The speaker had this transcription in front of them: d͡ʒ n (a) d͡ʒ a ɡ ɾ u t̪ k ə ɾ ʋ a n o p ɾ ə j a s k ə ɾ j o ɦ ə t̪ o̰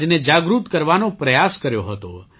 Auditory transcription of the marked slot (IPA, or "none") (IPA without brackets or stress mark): e